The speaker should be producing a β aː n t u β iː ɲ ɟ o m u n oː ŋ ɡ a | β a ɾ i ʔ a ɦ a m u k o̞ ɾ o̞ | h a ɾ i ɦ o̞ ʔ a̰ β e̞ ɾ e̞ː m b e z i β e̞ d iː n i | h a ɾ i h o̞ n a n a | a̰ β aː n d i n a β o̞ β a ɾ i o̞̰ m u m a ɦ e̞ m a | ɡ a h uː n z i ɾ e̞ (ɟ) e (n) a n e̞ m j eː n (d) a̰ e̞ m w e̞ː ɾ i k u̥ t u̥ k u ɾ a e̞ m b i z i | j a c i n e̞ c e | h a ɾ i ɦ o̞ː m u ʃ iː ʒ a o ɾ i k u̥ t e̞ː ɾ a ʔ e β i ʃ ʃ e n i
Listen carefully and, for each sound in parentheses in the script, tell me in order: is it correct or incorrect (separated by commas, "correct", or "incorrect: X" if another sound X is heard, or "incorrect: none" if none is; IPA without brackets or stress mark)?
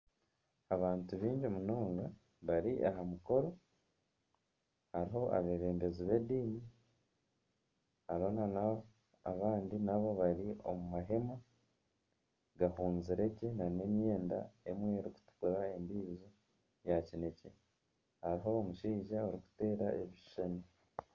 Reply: incorrect: c, correct, correct